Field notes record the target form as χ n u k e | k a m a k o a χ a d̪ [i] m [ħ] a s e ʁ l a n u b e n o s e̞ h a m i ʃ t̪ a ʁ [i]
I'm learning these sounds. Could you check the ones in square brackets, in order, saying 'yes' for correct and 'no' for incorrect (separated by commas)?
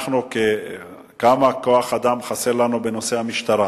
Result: no, no, no